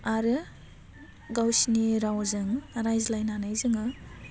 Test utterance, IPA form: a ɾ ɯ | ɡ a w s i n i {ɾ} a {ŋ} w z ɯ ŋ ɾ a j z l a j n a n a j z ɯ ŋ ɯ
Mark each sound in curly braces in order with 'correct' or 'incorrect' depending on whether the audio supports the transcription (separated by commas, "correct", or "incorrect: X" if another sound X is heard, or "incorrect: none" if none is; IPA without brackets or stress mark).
correct, incorrect: none